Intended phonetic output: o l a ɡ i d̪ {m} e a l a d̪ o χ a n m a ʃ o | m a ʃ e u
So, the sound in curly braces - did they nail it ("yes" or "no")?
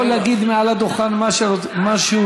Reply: yes